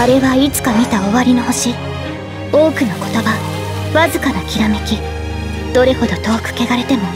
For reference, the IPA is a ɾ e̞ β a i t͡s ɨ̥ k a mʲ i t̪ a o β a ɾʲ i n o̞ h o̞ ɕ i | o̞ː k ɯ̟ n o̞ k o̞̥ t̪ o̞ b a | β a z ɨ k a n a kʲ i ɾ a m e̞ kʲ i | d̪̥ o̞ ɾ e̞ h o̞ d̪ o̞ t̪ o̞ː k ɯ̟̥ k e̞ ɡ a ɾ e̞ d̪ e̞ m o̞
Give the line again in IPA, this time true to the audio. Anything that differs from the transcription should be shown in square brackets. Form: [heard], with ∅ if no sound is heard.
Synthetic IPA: a ɾ e̞ β a i t͡s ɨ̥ k a mʲ i t̪ a o β a ɾʲ i n o̞ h o̞ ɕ i | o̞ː k ɯ̟ n o̞ k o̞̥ t̪ o̞ b a | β a z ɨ k a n a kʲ i ɾ a m e̞ kʲ i | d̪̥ o̞ ɾ e̞ h o̞ d̪ o̞ t̪ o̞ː k ɯ̟̥ k e̞ ɡ a ɾ e̞ [t̪] e̞ m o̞

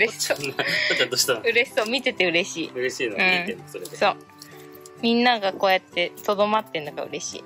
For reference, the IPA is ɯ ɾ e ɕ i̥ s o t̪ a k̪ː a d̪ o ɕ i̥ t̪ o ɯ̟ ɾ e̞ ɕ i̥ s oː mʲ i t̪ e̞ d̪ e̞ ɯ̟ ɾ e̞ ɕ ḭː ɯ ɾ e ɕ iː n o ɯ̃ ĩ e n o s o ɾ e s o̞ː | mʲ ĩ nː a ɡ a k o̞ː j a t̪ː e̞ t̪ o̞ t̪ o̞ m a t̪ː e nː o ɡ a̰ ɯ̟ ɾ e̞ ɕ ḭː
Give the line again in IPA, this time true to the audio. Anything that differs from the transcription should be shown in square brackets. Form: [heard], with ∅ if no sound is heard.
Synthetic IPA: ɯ ɾ e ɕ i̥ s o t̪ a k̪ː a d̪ o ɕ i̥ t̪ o ɯ̟ ɾ e̞ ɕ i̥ s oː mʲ i t̪ e̞ [t̪] e̞ ɯ̟ ɾ e̞ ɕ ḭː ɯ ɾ e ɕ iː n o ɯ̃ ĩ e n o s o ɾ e s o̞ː | mʲ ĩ nː a ɡ a k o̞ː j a t̪ː e̞ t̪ o̞ [d̪] o̞ m a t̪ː e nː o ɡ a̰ ɯ̟ ɾ e̞ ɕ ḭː

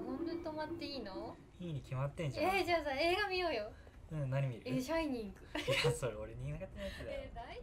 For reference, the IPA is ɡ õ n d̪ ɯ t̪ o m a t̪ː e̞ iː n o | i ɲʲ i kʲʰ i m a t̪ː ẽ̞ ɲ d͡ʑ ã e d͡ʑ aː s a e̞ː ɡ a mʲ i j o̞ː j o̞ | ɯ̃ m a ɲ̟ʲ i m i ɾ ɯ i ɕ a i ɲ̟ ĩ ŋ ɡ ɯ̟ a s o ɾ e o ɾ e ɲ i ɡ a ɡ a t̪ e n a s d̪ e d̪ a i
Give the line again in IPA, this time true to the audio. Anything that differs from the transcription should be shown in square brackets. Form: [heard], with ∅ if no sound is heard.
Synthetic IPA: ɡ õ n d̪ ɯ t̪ o m a t̪ː e̞ iː n o | i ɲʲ i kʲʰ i m a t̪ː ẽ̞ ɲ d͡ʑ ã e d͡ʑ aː s a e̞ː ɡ a mʲ i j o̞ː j o̞ | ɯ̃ [n] a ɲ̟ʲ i m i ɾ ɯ [e] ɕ a i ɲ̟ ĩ ŋ ɡ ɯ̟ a s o ɾ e o ɾ e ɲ i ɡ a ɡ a t̪ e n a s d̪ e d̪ a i

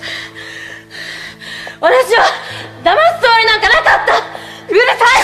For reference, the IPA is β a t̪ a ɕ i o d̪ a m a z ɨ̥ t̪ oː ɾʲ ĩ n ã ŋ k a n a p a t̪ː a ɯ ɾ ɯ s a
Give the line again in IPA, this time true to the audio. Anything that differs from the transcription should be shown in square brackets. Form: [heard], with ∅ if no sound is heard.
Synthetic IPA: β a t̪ a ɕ i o d̪ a m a [s] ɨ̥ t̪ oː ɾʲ [i] n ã ŋ k a n a [k] a t̪ː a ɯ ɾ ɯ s a

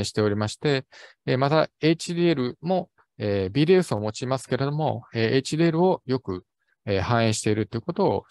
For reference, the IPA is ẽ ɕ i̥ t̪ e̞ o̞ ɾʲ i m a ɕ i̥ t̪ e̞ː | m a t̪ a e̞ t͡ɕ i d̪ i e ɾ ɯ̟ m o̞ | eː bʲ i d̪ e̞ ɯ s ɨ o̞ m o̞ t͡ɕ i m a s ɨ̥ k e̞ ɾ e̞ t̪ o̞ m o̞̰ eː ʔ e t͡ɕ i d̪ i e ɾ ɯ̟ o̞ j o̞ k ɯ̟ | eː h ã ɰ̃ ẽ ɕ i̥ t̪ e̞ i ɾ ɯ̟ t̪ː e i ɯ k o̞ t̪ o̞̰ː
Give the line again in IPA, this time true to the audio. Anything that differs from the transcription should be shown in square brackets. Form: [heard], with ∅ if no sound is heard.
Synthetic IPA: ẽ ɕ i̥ t̪ e̞ o̞ ɾʲ i m a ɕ i̥ t̪ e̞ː | m a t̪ a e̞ t͡ɕ i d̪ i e ɾ ɯ̟ m o̞ | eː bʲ i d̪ e̞ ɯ s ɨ o̞ m o̞ t͡ɕ i m a s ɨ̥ k e̞ ɾ e̞ [d̪] o̞ m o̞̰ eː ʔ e t͡ɕ i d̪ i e ɾ ɯ̟ o̞ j o̞ k ɯ̟ | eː h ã ɰ̃ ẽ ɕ i̥ t̪ e̞ i ɾ ɯ̟ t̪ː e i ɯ k o̞ t̪ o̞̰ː

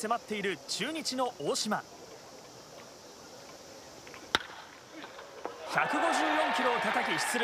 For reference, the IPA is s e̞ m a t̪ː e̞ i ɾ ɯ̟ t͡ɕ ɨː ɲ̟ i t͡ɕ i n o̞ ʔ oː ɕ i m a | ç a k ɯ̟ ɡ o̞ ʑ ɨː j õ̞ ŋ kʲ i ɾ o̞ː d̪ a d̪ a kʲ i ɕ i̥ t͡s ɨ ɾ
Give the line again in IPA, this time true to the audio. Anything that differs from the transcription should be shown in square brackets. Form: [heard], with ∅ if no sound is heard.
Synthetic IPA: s e̞ m a t̪ː e̞ i ɾ ɯ̟ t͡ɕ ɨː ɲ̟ i t͡ɕ i n o̞ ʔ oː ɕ i m a | ç a k ɯ̟ ɡ o̞ ʑ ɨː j õ̞ ŋ kʲ i ɾ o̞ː [t̪] a [t̪] a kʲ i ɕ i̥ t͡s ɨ ɾ

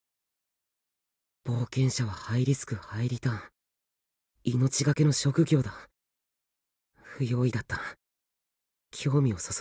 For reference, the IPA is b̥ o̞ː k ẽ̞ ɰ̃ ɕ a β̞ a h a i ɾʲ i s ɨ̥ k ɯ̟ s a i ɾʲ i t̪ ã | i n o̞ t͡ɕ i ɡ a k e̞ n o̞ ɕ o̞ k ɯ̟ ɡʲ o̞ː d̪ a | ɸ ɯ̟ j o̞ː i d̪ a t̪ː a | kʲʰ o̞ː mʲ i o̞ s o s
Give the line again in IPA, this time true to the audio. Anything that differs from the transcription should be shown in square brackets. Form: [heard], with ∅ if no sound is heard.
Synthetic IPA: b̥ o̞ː k ẽ̞ ɰ̃ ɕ a β̞ a h a i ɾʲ i s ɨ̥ k ɯ̟ [h] a i ɾʲ i t̪ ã | i n o̞ t͡ɕ i ɡ a k e̞ n o̞ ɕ o̞ k ɯ̟ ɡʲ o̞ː d̪ a | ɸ ɯ̟ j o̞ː i d̪ a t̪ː a | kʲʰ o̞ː mʲ i o̞ s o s

